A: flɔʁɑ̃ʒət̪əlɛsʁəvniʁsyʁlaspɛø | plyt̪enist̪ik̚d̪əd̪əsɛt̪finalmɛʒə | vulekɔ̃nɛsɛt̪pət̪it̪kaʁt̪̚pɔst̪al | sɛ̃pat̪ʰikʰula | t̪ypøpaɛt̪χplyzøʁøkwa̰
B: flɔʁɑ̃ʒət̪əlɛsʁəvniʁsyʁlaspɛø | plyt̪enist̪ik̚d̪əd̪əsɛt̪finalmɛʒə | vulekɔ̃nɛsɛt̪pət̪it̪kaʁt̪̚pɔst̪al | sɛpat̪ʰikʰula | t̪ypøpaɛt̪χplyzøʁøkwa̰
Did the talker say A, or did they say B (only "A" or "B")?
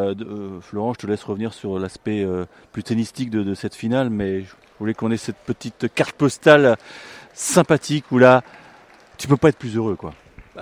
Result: A